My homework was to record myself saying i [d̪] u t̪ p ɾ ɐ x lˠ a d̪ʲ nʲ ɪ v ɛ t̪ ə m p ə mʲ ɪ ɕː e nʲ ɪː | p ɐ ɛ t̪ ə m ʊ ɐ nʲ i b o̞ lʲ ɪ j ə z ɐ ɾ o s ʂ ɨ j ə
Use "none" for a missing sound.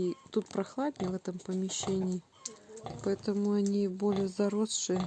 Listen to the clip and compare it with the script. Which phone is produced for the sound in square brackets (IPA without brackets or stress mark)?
t̪